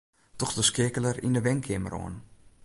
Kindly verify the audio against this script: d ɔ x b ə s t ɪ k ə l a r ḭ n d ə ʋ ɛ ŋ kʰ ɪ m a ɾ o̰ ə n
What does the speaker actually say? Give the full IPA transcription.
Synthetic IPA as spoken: t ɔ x d ə s k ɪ k ə l ə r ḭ n d ə ʋ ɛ ŋ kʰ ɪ m ə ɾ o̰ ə n